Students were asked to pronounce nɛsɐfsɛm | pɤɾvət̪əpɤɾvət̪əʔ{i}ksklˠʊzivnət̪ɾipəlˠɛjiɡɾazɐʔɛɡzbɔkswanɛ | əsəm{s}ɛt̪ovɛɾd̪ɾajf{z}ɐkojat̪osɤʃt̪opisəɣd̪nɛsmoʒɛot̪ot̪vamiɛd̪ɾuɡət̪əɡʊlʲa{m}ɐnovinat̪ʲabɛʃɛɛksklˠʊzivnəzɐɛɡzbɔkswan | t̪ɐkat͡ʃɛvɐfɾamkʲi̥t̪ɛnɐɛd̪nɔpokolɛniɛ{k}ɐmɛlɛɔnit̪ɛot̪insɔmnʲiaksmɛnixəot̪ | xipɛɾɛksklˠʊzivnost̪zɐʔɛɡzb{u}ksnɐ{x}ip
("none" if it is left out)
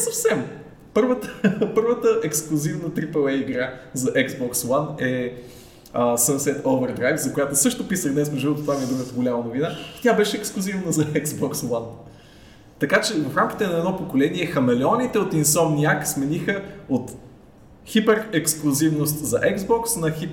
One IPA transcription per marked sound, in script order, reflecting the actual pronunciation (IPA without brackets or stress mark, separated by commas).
ɛ, s, z, m, x, ɔ, x